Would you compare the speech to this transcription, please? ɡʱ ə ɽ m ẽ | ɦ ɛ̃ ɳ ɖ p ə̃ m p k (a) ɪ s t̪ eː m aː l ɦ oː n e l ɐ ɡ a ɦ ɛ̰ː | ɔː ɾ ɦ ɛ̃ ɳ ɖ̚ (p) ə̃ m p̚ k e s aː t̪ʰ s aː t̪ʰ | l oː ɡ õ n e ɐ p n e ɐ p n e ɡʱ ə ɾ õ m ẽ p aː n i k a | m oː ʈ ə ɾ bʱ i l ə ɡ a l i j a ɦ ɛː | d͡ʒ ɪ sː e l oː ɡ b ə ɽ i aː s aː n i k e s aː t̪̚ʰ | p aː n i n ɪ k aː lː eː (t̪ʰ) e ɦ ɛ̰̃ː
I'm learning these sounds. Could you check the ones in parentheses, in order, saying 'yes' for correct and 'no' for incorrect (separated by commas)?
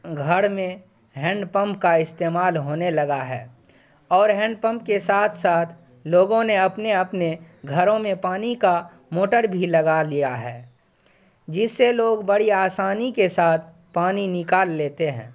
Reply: yes, yes, no